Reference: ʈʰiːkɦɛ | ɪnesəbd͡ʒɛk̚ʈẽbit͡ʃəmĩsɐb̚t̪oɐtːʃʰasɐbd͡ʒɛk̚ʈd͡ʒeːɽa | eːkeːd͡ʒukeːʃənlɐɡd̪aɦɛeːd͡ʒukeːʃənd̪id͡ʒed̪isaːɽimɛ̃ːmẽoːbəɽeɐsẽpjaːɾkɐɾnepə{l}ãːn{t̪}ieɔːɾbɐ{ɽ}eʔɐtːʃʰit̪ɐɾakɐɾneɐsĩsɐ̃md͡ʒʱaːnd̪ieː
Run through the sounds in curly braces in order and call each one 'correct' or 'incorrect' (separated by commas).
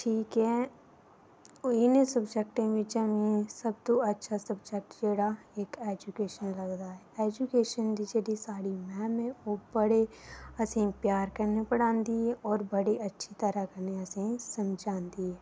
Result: incorrect, incorrect, correct